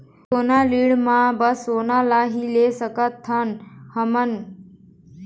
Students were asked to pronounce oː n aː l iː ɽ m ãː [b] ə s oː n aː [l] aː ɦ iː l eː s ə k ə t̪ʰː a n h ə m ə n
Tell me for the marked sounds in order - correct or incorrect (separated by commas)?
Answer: correct, correct